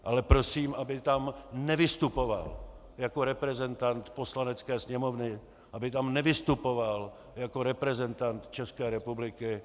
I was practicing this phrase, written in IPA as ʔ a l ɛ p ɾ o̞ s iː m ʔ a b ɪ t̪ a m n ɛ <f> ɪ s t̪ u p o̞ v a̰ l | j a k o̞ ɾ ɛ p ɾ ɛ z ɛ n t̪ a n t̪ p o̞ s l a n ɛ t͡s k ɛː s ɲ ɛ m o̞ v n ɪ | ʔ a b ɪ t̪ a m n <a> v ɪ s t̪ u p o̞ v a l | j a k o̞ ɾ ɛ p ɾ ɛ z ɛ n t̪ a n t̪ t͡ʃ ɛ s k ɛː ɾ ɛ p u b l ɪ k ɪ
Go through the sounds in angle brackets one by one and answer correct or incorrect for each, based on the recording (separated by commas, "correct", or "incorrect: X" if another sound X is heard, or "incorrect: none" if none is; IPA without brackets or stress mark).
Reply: incorrect: v, incorrect: ɛ